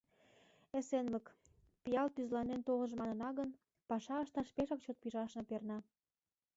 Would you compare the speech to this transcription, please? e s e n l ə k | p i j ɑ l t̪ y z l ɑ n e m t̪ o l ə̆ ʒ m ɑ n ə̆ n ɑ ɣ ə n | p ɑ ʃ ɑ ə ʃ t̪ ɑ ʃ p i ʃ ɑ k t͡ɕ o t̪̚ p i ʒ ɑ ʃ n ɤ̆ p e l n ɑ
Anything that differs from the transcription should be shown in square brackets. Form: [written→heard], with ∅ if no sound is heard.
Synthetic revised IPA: e s e n l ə k | p i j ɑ l t̪ y z l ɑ n e [m→n] t̪ o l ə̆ ʒ m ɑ n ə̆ n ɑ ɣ ə n | p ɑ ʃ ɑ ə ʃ t̪ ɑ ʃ p [i→e] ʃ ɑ k t͡ɕ o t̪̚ p i ʒ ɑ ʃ n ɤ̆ p e [l→r] n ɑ